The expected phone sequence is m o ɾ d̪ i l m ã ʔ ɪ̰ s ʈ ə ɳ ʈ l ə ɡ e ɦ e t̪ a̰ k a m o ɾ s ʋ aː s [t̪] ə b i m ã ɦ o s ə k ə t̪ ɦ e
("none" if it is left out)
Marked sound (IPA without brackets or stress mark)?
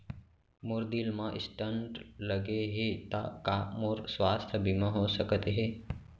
t̪ʰ